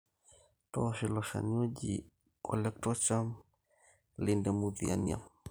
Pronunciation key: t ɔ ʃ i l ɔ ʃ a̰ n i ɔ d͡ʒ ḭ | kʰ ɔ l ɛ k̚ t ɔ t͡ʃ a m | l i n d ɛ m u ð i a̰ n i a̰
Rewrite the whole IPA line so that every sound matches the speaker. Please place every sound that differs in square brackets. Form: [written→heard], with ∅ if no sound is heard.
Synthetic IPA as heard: t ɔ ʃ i l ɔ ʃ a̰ n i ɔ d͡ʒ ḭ | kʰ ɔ l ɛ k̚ t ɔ t͡ʃ a m | l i n d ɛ m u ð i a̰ n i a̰